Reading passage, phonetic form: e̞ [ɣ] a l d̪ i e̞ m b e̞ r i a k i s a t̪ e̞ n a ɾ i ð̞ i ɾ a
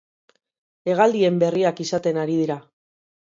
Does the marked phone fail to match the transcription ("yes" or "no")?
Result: no